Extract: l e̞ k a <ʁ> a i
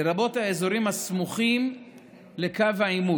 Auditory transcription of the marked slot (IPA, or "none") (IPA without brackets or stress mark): v